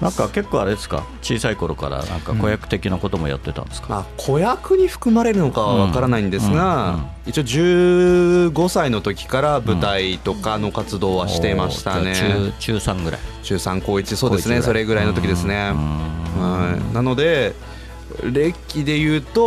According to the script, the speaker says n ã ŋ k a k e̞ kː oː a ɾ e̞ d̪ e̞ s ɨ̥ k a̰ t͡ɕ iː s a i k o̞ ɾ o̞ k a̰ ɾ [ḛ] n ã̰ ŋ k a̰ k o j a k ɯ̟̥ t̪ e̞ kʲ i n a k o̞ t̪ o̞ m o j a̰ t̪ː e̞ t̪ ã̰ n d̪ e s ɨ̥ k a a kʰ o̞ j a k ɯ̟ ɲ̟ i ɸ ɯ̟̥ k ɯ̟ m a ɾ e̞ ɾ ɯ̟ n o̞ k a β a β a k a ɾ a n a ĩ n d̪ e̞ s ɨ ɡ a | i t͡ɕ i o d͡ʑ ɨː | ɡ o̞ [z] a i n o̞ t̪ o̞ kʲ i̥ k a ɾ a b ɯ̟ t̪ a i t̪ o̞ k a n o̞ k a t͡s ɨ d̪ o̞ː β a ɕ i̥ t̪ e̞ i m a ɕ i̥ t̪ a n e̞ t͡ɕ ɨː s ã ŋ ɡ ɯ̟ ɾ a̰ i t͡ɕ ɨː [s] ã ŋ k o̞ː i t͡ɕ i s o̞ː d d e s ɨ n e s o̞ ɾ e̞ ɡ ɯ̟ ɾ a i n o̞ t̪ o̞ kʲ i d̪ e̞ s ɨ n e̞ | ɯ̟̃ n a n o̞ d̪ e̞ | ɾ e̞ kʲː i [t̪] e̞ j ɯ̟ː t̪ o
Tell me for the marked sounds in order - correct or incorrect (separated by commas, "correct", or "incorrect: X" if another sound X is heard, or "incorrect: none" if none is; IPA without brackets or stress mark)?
incorrect: a̰, incorrect: s, correct, incorrect: d̪